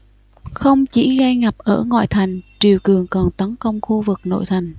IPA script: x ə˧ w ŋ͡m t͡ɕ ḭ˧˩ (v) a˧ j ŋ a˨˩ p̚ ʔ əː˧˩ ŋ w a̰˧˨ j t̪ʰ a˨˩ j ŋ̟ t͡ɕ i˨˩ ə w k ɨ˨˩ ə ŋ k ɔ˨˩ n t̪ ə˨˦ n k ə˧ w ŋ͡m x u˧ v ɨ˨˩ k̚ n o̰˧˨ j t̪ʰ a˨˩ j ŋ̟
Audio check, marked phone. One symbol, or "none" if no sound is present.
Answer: ɣ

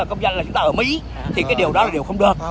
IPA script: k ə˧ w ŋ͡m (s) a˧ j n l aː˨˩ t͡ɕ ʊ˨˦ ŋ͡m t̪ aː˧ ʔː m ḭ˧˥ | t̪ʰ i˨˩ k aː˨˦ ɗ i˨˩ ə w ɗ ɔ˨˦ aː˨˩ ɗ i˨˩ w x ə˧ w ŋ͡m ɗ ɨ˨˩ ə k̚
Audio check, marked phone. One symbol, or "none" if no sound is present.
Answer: z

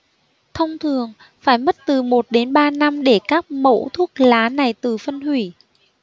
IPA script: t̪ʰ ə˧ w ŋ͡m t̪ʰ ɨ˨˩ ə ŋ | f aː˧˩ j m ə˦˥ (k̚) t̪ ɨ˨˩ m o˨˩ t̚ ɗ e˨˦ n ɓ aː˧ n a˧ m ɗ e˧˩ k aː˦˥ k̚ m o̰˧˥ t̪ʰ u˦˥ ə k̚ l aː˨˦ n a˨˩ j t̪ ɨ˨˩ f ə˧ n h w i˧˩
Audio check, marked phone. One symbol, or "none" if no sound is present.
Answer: t̚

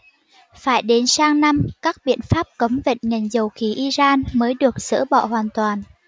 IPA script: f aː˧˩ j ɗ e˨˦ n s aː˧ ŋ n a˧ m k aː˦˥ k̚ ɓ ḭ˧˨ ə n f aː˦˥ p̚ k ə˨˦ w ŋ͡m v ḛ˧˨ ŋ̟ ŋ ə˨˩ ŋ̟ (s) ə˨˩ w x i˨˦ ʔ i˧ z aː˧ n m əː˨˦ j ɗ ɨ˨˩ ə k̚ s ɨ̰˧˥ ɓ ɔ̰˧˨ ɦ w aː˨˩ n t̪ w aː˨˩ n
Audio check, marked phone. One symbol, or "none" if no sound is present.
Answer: z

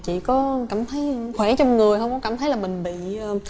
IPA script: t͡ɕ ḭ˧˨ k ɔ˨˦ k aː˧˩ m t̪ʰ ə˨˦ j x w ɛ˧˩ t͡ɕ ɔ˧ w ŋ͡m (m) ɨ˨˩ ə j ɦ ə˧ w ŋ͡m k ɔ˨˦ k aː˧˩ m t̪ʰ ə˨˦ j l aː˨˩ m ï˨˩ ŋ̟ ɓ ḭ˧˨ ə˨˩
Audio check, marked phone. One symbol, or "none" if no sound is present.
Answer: ŋ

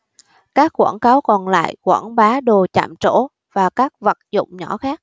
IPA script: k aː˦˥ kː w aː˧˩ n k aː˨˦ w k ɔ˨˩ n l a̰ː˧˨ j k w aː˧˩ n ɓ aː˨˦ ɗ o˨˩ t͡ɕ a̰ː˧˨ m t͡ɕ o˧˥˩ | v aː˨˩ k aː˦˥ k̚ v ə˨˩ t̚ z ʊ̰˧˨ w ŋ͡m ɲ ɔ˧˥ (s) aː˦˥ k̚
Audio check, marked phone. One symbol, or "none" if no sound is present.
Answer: x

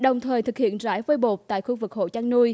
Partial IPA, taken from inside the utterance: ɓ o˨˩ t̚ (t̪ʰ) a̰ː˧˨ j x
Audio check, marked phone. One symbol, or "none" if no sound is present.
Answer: t̪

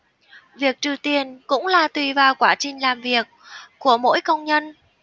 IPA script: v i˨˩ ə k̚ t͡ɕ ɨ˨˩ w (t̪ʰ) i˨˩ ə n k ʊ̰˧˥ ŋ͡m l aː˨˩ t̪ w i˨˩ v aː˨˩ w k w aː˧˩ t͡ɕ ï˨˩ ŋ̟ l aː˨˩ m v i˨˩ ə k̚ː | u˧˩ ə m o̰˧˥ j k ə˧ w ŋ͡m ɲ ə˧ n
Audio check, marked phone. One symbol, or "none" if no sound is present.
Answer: t̪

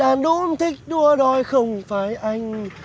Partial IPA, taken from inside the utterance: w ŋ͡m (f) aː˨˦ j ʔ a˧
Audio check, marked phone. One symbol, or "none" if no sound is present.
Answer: f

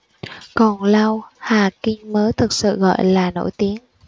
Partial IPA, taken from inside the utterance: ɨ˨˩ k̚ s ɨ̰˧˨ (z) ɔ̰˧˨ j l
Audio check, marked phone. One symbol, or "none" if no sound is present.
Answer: ɣ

